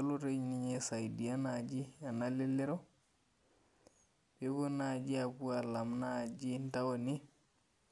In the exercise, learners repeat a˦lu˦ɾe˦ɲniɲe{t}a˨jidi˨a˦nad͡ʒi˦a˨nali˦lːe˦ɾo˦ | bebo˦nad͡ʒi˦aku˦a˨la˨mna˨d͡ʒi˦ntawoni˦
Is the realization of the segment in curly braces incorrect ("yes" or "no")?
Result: yes